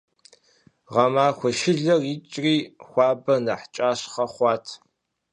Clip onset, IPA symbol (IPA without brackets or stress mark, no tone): ʁ